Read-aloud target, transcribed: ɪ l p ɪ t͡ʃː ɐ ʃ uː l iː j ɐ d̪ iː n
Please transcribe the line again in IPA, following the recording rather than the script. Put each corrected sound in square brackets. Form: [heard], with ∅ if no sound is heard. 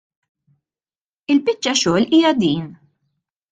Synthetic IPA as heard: ɪ l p ɪ t͡ʃː ɐ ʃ [ɔː] l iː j ɐ d̪ iː n